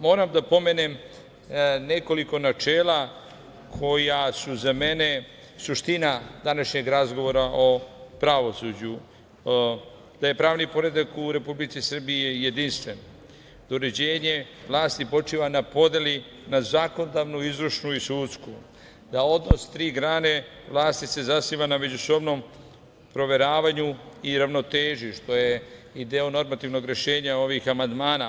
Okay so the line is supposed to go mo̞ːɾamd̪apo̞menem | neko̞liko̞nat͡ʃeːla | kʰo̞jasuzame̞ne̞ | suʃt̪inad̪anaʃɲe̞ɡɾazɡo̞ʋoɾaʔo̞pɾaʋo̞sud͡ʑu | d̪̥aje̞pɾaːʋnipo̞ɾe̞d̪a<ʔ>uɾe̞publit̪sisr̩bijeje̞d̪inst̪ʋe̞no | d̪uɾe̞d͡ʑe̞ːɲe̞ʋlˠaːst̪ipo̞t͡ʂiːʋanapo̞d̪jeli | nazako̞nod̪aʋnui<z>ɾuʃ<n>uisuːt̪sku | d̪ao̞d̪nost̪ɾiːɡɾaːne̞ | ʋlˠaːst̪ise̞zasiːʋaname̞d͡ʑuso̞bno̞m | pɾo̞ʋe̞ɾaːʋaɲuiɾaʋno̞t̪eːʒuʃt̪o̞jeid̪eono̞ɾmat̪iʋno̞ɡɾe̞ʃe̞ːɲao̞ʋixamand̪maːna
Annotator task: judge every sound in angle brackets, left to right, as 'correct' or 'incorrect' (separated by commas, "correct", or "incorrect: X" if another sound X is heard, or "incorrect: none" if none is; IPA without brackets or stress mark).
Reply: incorrect: k, correct, correct